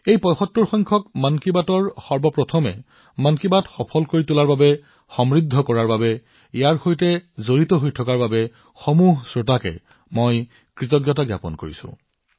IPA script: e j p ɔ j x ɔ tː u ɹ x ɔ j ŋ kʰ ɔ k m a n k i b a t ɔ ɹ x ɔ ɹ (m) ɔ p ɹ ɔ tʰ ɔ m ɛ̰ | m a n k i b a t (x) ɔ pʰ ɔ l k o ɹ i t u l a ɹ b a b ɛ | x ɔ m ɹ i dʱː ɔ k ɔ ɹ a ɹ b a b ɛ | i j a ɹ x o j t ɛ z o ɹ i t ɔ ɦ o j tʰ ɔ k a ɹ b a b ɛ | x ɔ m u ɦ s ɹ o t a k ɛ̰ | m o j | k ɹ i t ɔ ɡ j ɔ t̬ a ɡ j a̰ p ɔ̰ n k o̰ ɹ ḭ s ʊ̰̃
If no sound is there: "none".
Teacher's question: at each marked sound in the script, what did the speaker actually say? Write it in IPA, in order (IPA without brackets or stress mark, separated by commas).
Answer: b, x